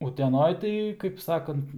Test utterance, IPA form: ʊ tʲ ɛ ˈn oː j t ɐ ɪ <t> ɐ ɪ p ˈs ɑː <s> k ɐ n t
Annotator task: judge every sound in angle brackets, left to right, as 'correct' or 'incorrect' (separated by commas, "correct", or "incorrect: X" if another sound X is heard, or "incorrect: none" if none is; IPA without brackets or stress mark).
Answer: incorrect: k, incorrect: none